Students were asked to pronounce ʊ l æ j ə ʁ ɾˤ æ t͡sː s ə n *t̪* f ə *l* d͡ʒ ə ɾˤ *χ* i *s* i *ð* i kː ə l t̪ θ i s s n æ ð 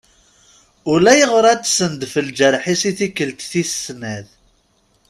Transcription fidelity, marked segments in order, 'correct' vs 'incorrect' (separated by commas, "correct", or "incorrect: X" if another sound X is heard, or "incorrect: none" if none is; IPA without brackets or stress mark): incorrect: d̪, correct, incorrect: ħ, correct, incorrect: θ